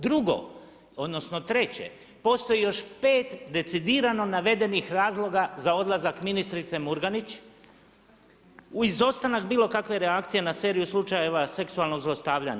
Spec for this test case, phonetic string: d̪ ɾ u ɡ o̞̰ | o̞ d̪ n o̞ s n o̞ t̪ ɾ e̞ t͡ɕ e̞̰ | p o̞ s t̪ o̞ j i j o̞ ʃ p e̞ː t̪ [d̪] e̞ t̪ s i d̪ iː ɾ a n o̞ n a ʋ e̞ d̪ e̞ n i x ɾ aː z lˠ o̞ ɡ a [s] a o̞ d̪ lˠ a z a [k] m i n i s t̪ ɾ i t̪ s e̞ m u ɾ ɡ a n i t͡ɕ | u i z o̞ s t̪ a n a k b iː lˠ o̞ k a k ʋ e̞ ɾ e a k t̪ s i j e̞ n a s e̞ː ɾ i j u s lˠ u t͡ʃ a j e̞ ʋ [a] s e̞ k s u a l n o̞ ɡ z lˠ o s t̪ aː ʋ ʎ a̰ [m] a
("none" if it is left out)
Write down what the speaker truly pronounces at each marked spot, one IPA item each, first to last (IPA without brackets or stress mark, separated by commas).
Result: d̪, z, k, a, ɲ